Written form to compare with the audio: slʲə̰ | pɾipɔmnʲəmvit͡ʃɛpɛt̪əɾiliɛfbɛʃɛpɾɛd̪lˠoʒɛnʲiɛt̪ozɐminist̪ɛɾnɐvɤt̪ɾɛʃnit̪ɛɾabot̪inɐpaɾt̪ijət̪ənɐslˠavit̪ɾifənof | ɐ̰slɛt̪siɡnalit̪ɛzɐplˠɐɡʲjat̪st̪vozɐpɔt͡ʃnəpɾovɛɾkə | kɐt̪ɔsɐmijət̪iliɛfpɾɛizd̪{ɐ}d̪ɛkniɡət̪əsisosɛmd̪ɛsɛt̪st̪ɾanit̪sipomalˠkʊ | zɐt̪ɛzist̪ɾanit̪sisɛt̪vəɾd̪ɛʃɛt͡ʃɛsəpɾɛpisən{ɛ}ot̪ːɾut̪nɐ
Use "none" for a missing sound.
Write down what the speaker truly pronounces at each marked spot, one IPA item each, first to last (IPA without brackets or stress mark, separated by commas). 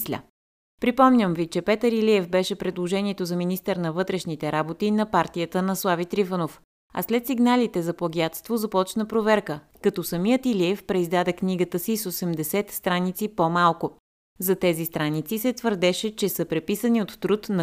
a, i